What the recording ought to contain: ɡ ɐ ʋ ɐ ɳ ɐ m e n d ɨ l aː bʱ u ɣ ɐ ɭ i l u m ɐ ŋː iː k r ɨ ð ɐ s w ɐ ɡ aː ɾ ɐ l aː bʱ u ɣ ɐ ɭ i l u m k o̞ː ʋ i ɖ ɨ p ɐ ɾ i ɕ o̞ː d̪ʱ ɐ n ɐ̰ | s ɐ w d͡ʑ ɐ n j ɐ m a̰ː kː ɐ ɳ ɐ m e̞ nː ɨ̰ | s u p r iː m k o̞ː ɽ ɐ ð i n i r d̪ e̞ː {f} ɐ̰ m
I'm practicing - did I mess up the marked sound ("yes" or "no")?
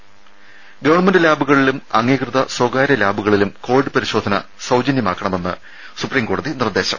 yes